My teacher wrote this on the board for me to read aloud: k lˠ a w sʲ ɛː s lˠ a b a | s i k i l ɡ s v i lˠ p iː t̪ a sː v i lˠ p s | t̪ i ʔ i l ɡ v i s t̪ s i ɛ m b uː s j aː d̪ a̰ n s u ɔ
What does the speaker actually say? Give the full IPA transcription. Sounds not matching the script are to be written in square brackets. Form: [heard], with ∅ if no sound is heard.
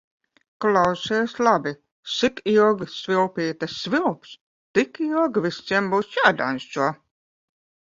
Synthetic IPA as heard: k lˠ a w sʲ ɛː s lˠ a b [i] | s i k i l ɡ s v i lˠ p iː t̪ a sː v i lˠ p s | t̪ i [k] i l ɡ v i s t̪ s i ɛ m b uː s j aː d̪ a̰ n s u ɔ

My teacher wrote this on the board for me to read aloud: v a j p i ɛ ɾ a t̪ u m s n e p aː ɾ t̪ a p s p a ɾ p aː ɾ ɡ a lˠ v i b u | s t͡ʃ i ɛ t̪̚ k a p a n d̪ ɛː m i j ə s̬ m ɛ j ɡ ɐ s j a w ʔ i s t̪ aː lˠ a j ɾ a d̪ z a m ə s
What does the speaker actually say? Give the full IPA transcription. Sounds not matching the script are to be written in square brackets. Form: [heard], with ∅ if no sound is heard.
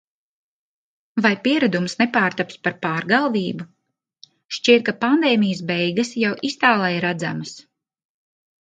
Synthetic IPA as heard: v a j p i ɛ ɾ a [d̪] u m s n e p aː ɾ t̪ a p s p a ɾ p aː ɾ ɡ a lˠ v [iː] b u | [ʃ] t͡ʃ i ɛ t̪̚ k a p a n d̪ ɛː m i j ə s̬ [b] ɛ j ɡ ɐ s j a w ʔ i s t̪ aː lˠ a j ɾ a d̪ z a m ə s

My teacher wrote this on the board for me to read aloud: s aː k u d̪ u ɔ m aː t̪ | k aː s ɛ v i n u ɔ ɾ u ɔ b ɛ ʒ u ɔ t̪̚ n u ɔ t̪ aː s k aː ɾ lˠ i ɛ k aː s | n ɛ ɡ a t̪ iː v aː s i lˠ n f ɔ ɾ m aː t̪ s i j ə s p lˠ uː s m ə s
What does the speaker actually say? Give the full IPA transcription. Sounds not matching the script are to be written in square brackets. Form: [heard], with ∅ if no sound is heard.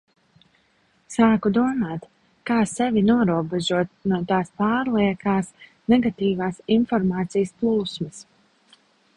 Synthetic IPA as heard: s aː k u d̪ u ɔ m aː t̪ | k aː s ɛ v i n u ɔ ɾ u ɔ b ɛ ʒ u ɔ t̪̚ n u ɔ t̪ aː s [p] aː ɾ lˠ i ɛ k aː s | n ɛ ɡ a t̪ iː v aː s i [∅] n f ɔ ɾ m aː t̪ s i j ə s p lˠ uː s m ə s

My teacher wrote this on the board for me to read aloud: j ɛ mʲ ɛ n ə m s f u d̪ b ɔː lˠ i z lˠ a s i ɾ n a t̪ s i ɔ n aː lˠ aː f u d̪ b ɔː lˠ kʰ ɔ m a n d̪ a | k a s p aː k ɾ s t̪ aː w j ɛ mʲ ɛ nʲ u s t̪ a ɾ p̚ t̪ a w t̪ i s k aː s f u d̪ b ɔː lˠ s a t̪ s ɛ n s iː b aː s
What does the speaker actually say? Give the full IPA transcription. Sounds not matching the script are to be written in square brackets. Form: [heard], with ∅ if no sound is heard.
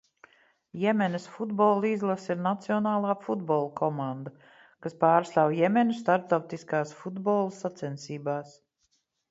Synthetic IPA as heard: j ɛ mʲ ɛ n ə [∅] s f u d̪ b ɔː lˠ i z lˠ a s i ɾ n a t̪ s i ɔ n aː lˠ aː f u d̪ b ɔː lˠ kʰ ɔ m a n d̪ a | k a s p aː [∅] ɾ s t̪ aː w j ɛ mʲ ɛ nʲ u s t̪ a ɾ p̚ t̪ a w t̪ i s k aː s f u d̪ b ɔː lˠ s a t̪ s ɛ n s iː b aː s

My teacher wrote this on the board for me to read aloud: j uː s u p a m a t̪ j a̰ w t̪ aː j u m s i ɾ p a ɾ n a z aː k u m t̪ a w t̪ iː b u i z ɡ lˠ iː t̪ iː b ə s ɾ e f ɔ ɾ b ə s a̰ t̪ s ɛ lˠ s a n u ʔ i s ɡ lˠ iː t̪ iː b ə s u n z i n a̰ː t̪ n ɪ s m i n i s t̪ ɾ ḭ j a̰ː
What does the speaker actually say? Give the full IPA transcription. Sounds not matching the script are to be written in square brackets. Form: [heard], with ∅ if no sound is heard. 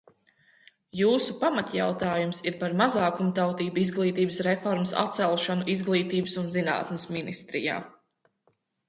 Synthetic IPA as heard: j uː s u p a m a t̪ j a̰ w t̪ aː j u m s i ɾ p a ɾ [m] a z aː k u m t̪ a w t̪ iː b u i z ɡ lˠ iː t̪ iː b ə s ɾ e f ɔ ɾ [m] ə s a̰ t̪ s ɛ lˠ [ʃ] a n u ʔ i [z] ɡ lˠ iː t̪ iː b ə s u n z i n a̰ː t̪ n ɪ s m i n i s t̪ ɾ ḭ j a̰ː

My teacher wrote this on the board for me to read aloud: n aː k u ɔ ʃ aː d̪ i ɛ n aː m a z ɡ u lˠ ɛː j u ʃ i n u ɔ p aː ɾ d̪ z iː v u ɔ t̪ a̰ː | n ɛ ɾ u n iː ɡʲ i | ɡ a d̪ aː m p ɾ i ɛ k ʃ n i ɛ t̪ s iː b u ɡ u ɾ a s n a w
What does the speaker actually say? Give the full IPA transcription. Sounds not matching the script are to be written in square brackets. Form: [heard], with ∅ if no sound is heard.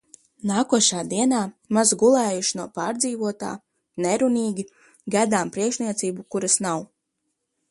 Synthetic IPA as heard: n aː k u ɔ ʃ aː d̪ i ɛ n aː m a z ɡ u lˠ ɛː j u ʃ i n u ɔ p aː ɾ d̪ z iː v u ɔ t̪ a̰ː | n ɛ ɾ u n iː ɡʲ i | ɡ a d̪ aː m p ɾ i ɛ k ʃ n i ɛ t̪ s iː b u [k] u ɾ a s n a w

